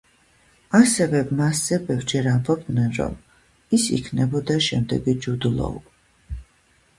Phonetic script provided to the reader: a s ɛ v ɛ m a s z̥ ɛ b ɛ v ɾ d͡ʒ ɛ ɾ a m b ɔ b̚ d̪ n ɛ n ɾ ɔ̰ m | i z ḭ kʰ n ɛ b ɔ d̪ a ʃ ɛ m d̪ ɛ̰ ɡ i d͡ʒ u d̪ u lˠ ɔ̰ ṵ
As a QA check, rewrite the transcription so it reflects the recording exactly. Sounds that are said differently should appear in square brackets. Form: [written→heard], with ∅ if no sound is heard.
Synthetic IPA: a s ɛ v ɛ m a s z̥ ɛ b ɛ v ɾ d͡ʒ ɛ ɾ a m b ɔ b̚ d̪ n ɛ n ɾ ɔ̰ m | i [z→s] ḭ kʰ n ɛ b ɔ d̪ a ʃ ɛ m d̪ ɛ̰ ɡ i d͡ʒ u d̪ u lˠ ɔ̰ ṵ